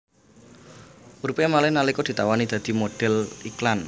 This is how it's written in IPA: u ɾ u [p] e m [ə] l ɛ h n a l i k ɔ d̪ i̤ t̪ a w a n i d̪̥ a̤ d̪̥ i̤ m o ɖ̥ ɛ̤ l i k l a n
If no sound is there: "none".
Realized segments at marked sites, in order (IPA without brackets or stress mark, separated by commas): p, a